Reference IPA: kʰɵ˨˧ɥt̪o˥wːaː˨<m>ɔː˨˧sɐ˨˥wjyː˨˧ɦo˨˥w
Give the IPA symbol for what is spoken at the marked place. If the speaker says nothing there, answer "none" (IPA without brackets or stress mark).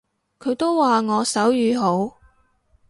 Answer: ŋ